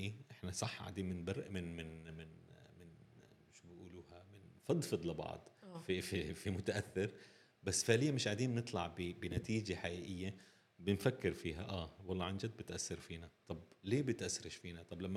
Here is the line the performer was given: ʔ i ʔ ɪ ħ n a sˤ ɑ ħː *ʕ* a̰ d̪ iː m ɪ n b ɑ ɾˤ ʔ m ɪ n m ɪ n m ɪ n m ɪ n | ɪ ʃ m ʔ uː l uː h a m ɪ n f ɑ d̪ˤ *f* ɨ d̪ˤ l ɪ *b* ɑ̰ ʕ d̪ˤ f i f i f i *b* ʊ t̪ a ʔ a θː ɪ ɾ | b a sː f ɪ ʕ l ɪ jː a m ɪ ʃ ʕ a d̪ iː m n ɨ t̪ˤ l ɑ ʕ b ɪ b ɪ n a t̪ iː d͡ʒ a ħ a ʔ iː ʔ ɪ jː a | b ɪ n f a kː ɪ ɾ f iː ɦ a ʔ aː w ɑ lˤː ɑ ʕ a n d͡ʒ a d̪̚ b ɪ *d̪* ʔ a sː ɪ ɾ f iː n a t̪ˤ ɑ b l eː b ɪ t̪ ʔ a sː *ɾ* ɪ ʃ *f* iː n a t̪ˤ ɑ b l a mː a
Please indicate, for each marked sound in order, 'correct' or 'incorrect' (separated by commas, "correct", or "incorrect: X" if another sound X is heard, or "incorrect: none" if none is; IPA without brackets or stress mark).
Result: correct, correct, correct, incorrect: m, incorrect: t̪, correct, correct